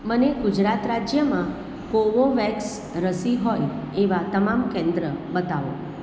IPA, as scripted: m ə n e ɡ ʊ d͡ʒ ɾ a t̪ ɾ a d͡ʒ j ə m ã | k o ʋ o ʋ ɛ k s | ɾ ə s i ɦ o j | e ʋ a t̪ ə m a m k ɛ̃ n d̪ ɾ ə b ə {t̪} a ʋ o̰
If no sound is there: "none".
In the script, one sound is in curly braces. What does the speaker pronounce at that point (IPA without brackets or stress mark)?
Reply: t̪